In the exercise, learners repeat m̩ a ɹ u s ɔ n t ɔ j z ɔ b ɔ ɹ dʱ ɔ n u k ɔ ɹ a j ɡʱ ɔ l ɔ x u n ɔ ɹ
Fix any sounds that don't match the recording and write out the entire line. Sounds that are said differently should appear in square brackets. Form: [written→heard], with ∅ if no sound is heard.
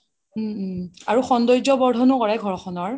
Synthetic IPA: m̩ a ɹ u [s→x] ɔ n [t→d] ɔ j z ɔ b ɔ ɹ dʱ ɔ n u k ɔ ɹ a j ɡʱ ɔ [l→ɹ] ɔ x [u→ɔ] n ɔ ɹ